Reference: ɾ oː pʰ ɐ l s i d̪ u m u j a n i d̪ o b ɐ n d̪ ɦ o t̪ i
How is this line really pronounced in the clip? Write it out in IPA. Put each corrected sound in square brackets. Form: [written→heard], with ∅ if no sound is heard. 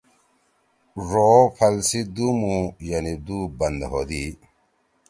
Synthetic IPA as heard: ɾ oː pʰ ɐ l s i d̪ u m u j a n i d̪ [o→u] b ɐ n d̪ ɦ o [t̪→d̪] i